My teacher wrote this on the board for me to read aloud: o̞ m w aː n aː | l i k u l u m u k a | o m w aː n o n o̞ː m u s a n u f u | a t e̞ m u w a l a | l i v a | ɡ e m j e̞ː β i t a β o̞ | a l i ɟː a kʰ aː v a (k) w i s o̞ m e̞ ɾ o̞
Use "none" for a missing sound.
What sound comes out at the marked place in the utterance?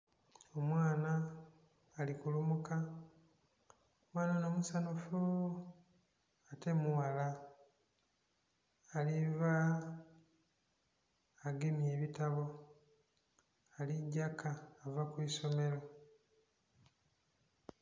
k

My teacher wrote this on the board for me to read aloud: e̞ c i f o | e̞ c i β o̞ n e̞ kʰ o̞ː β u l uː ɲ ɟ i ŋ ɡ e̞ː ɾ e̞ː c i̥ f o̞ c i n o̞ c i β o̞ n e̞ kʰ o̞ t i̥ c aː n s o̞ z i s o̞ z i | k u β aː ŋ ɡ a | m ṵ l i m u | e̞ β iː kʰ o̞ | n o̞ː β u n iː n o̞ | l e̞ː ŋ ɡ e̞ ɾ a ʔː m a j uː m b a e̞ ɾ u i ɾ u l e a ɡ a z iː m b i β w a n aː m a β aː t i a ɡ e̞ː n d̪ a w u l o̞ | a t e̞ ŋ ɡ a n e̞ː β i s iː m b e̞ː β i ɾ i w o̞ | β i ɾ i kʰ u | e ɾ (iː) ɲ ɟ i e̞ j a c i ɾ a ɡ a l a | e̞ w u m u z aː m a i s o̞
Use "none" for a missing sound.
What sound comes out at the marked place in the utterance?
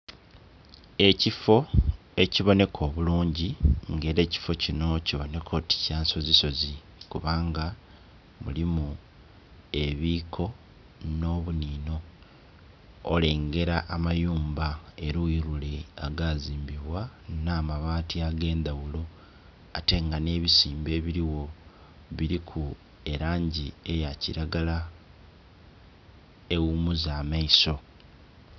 aː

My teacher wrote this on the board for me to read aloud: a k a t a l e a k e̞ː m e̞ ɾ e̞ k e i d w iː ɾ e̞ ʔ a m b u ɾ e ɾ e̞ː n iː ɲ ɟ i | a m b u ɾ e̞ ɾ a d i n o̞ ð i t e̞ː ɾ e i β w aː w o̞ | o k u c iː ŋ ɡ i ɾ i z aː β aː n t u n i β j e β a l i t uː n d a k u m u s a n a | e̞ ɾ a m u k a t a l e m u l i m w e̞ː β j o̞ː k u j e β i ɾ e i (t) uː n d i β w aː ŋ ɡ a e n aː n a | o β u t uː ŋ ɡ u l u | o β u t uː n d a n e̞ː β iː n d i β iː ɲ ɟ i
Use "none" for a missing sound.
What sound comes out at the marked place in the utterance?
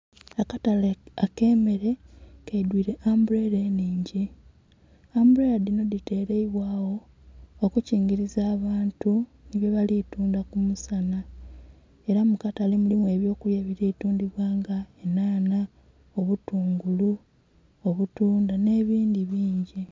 t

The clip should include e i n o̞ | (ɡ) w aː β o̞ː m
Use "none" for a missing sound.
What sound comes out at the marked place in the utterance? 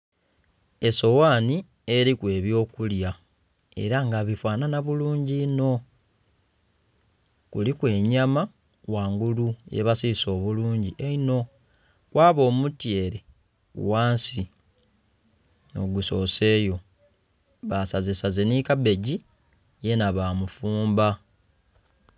k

